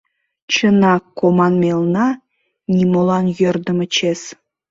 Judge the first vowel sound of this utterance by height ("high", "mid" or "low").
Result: mid